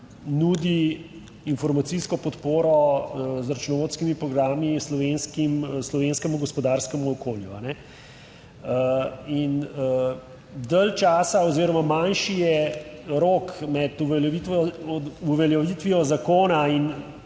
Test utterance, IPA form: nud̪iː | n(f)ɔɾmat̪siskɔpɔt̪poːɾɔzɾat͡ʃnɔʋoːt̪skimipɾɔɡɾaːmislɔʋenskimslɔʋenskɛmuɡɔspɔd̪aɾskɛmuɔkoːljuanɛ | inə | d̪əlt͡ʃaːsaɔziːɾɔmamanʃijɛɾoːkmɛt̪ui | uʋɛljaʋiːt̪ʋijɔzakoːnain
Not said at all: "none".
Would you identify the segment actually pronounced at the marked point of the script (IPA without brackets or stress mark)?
f